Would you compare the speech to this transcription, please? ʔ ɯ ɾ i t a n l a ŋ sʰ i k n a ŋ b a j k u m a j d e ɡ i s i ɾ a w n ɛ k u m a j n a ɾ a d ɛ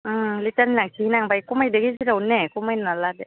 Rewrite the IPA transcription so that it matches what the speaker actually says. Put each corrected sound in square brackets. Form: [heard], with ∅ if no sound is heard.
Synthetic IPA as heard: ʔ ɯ [l] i t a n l a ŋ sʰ i [∅] n a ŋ b a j k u m a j d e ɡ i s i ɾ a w n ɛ k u m a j n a [l] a d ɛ